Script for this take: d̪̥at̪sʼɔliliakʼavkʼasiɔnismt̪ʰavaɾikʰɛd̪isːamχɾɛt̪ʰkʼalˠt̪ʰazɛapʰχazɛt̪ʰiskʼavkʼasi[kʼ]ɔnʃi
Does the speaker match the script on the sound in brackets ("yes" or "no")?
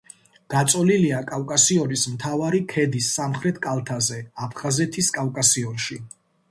no